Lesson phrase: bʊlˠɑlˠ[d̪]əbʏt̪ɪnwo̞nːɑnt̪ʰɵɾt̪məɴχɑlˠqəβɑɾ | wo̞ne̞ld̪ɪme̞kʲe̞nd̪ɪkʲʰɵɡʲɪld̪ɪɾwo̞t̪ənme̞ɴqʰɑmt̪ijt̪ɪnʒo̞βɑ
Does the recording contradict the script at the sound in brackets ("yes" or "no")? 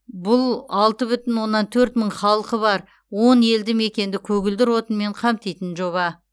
yes